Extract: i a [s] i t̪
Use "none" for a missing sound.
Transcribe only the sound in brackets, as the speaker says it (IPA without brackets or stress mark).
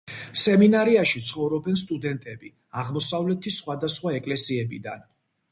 ʃ